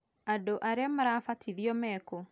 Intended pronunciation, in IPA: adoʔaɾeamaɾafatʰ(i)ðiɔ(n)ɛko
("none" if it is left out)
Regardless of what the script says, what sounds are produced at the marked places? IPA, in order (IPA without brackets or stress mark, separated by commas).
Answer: i, m